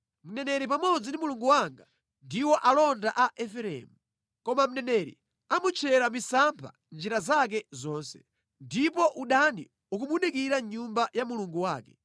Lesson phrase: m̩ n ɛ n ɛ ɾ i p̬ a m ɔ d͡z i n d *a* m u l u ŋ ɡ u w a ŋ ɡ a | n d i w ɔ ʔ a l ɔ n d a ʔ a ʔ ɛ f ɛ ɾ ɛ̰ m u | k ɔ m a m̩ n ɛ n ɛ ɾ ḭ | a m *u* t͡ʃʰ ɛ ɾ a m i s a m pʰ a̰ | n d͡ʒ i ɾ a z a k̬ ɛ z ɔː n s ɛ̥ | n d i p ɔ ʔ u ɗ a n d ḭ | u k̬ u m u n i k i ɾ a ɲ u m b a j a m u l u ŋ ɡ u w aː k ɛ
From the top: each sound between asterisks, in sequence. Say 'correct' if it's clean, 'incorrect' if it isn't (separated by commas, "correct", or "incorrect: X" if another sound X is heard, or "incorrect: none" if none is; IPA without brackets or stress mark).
incorrect: i, correct